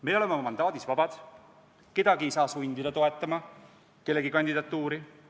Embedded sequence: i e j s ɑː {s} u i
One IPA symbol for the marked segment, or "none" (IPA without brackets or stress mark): s